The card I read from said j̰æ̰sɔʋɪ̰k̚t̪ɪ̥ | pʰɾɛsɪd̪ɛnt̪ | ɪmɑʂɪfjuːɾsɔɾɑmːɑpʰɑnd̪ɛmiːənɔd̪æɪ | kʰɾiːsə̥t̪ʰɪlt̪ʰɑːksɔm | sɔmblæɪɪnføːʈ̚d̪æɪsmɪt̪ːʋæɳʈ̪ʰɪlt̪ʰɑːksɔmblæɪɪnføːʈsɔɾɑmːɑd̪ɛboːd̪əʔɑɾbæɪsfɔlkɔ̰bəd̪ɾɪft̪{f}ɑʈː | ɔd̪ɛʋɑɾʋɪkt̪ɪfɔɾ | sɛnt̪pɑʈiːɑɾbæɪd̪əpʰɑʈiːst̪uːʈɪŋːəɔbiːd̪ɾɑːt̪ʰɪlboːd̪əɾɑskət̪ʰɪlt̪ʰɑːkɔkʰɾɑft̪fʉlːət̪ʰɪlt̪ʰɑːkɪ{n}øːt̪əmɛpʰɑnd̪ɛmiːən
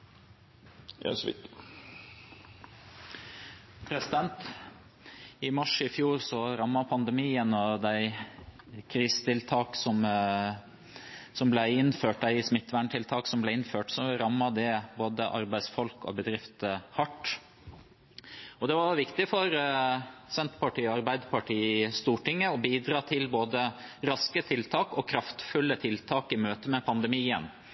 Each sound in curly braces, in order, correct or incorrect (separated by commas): incorrect, incorrect